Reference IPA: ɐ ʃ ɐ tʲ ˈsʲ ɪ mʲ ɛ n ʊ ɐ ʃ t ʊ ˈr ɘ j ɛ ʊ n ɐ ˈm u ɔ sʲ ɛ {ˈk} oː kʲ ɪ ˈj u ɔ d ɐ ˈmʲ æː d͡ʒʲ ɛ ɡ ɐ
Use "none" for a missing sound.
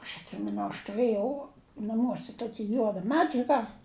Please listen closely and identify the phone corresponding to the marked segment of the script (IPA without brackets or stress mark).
t